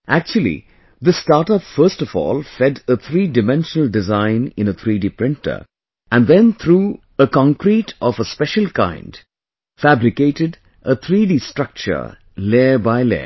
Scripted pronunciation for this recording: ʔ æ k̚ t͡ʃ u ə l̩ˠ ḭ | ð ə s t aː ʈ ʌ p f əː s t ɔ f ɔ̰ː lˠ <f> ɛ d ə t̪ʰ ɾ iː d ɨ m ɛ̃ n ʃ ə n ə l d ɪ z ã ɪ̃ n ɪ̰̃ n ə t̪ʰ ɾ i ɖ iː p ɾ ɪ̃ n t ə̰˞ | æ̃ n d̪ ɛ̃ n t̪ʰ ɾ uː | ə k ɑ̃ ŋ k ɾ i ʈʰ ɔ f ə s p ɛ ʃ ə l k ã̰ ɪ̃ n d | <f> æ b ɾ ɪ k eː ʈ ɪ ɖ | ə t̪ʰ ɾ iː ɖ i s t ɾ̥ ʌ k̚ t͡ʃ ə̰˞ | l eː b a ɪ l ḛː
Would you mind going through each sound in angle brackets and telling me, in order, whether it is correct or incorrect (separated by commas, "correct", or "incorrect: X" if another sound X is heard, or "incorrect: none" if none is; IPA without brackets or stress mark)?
correct, correct